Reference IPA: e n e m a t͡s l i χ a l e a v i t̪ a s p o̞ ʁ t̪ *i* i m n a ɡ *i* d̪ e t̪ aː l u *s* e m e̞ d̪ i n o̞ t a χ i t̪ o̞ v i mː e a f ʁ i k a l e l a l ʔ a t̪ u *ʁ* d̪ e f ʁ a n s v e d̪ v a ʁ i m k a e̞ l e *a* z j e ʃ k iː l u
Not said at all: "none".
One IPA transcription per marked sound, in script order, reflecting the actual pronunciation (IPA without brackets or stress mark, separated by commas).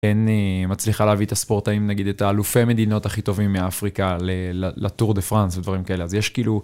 a, i, f, ʁ, a